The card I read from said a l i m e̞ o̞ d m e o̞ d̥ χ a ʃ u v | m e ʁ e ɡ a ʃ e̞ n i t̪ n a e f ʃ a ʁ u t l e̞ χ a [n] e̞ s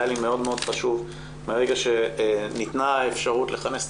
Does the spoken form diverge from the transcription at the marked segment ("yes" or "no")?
no